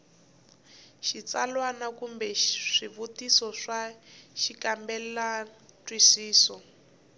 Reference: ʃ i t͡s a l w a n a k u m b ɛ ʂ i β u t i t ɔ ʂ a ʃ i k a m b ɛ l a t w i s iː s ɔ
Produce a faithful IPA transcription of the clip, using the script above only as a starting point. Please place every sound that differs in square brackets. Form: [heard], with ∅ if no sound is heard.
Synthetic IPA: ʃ i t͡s a l w a n a k u m b ɛ ʂ i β u t i [s] ɔ ʂ a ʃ i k a m b ɛ l a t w i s iː s ɔ